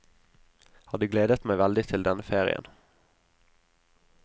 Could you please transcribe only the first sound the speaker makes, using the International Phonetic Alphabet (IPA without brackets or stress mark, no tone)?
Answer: h